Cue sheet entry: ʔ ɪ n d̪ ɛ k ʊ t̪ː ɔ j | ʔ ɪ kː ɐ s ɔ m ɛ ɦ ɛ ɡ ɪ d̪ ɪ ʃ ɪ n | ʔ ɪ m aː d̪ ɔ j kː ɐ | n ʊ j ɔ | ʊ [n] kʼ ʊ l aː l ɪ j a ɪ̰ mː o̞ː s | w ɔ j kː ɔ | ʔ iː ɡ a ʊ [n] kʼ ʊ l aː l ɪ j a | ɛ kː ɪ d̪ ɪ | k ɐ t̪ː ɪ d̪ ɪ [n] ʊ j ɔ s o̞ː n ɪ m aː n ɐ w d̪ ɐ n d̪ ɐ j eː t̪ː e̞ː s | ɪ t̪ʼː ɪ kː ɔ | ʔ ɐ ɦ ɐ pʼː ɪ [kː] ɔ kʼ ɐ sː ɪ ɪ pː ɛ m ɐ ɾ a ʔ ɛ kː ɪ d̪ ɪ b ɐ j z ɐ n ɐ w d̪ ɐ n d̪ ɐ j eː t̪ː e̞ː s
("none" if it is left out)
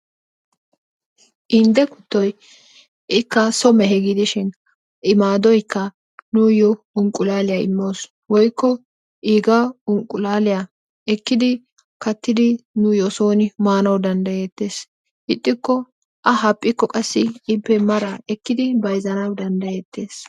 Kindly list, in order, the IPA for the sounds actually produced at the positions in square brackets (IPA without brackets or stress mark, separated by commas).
ŋ, ŋ, n, kː